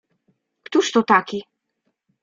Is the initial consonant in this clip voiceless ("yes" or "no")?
yes